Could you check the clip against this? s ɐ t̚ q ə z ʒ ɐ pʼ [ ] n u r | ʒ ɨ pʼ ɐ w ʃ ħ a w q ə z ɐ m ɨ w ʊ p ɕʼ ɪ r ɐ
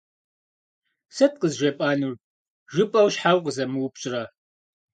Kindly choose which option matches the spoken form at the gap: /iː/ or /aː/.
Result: aː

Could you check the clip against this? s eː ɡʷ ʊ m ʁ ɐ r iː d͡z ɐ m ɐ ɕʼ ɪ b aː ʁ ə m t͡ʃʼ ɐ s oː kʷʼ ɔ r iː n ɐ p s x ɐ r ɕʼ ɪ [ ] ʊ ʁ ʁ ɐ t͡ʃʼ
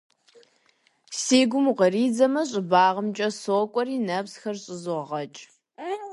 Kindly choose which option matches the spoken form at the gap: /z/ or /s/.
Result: z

